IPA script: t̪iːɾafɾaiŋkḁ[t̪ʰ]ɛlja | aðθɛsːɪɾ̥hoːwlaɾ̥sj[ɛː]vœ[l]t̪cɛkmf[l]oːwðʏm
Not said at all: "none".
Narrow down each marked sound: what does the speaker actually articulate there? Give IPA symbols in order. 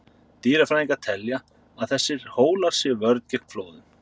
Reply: t̪ʰ, ɛ, ɾ, l

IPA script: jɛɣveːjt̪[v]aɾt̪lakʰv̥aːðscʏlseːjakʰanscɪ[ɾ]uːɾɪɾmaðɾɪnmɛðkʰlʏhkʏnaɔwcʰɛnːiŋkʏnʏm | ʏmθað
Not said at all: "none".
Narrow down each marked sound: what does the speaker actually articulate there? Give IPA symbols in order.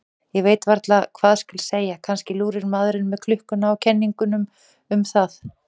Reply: v, l

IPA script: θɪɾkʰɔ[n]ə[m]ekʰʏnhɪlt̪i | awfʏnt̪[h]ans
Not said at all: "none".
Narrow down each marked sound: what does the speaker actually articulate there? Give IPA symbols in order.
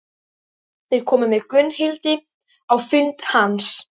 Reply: m, m, h

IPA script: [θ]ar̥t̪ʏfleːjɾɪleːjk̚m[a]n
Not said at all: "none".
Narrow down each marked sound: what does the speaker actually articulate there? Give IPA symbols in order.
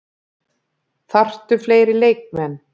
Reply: θ, ɛ

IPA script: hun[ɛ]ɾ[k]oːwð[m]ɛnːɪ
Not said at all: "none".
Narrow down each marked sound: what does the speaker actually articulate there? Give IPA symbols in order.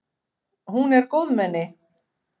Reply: ɛ, k, m

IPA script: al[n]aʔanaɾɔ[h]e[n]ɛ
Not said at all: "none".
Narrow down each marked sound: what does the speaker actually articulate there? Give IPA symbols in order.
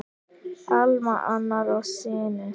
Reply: m, s, n

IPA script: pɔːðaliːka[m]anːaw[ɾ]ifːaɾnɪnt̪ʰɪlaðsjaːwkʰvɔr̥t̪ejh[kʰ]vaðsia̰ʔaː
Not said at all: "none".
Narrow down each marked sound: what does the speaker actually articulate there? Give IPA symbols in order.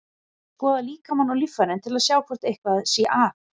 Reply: m, l, k

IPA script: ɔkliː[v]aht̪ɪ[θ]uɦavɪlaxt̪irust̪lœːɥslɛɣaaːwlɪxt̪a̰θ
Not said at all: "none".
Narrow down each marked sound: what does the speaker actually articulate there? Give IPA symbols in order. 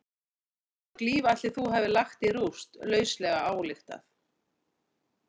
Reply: v, θ

